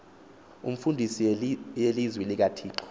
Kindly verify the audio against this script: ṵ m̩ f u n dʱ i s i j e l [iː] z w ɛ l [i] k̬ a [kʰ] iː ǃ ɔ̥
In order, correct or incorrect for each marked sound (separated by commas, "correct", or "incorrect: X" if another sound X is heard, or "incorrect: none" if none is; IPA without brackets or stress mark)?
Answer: incorrect: i, correct, incorrect: tʰ